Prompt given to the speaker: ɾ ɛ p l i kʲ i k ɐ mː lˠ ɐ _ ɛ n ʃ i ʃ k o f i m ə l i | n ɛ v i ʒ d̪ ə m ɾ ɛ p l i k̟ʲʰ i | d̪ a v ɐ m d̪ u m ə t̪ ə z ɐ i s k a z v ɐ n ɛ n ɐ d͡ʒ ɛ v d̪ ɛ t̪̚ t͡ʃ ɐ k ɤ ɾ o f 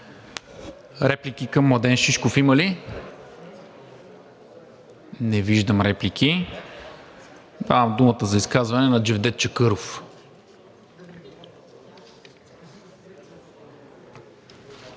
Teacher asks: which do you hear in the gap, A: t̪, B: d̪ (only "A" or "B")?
B